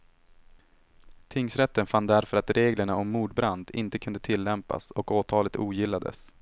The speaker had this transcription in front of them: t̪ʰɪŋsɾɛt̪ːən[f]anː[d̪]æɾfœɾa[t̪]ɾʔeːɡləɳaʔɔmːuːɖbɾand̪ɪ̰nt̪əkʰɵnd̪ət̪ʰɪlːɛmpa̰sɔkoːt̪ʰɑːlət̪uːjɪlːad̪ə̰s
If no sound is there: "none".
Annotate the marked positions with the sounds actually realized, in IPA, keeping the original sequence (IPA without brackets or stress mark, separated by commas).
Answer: f, d̪, t̪